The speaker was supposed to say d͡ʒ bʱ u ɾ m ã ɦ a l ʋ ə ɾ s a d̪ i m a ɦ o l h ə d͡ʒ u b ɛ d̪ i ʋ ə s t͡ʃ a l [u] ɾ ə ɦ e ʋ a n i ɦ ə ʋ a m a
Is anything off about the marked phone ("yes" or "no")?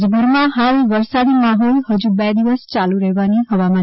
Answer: no